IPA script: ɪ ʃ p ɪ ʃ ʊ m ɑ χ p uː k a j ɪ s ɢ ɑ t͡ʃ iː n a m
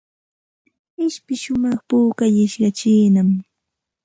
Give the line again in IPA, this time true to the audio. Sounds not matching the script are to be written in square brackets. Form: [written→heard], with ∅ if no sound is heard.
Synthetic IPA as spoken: ɪ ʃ p ɪ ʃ ʊ m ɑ χ p uː k a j ɪ [s→ʃ] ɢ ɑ t͡ʃ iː n a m